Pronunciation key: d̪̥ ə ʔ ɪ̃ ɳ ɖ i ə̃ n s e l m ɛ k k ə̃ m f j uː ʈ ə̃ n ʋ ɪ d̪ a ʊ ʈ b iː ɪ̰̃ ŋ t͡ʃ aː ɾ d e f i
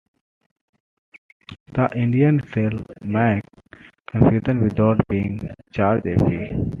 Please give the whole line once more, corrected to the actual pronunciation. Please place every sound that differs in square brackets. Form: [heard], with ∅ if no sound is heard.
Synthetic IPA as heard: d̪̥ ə ʔ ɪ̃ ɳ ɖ i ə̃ n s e l m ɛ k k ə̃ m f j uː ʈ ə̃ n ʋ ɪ d̪ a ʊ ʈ b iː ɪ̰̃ ŋ t͡ʃ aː ɾ [d͡ʒ] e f i